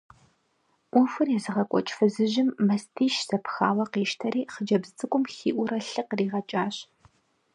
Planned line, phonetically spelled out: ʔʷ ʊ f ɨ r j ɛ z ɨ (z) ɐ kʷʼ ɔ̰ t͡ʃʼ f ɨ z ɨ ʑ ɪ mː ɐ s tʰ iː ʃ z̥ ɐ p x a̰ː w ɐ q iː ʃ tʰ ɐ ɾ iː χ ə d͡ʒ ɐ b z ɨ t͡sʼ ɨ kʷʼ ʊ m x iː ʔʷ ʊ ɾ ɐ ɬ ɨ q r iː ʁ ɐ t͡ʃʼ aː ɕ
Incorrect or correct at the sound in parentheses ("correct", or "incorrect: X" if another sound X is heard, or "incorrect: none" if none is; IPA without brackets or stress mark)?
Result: incorrect: ʁ